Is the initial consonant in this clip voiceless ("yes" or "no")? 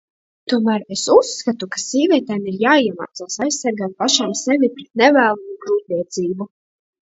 yes